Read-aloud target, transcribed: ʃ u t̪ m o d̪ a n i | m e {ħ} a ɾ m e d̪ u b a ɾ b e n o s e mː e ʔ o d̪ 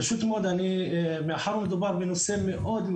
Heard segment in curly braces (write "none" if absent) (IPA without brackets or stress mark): ħ